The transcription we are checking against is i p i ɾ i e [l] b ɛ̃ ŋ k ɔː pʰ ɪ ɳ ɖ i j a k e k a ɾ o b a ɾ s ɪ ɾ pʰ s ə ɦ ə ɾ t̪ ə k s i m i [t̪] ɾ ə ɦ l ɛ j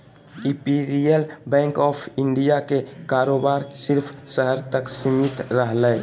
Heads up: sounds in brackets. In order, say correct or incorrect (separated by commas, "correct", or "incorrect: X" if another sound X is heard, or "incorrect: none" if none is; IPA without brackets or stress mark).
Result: correct, correct